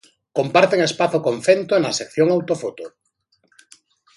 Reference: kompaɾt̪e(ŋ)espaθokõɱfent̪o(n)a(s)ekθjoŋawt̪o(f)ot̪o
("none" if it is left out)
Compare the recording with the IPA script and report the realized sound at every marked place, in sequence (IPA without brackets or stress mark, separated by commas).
ŋ, n, s, f